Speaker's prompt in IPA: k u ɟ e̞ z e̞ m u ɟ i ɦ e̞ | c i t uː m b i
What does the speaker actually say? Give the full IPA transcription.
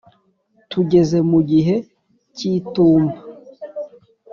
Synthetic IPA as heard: t u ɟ e̞ z e̞ m u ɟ i ɦ e̞ | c i t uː m b a